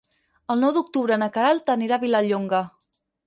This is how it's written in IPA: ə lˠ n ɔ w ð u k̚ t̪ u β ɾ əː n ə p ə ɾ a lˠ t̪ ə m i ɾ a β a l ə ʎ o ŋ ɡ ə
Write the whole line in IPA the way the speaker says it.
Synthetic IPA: ə lˠ n ɔ w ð u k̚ t̪ u β ɾ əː n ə k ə ɾ a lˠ t̪ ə n i ɾ a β i l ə ʎ o ŋ ɡ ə